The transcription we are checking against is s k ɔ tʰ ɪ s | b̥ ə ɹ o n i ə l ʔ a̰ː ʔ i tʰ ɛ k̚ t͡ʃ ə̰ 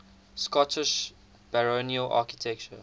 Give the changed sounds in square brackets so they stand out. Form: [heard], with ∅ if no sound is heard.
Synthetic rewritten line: s k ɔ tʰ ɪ [ʃ] | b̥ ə ɹ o n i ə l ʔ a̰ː [k] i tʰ ɛ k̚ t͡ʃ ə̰